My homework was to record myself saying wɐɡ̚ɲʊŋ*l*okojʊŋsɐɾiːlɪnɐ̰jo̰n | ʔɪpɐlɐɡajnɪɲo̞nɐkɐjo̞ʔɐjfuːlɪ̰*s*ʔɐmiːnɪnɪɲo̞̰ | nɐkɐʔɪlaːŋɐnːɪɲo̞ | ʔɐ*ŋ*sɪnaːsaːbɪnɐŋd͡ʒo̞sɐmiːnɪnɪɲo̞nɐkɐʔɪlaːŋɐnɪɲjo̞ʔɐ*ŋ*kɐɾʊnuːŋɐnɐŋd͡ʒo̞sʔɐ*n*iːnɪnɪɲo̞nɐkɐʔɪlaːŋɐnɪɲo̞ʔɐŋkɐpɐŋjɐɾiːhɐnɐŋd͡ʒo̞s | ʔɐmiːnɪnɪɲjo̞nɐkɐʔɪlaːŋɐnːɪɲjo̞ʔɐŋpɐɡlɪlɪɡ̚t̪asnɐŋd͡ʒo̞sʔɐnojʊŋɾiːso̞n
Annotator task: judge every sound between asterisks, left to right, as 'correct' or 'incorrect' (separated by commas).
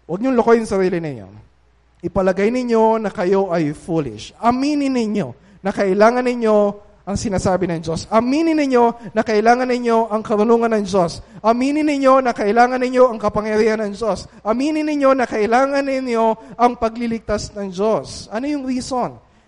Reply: correct, incorrect, correct, correct, incorrect